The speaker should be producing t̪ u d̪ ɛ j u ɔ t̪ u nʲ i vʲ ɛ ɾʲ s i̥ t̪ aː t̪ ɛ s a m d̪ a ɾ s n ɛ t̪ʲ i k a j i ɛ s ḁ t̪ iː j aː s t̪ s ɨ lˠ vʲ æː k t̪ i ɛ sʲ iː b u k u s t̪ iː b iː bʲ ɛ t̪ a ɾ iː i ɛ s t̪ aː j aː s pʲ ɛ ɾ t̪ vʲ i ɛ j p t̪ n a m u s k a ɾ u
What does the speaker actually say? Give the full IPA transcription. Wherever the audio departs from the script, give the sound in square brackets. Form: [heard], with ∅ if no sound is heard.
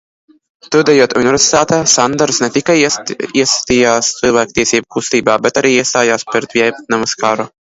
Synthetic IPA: t̪ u d̪ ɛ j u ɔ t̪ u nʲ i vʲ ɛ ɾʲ s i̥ t̪ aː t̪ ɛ s a [n] d̪ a ɾ s n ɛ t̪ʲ i k a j i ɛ s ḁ t̪ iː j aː s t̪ s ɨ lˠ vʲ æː k t̪ i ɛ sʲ iː b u k u s t̪ iː b [aː] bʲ ɛ t̪ a ɾ iː i ɛ s t̪ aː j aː s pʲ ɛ ɾ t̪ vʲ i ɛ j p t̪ n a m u s k a ɾ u